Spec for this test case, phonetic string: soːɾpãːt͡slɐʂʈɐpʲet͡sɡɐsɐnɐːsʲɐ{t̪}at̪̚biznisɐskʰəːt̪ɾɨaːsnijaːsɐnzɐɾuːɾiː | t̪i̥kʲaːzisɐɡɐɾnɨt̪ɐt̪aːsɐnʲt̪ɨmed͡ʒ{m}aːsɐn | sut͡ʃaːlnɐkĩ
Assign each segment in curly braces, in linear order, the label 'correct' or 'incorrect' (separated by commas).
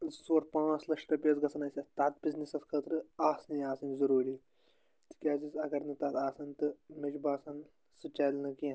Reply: correct, incorrect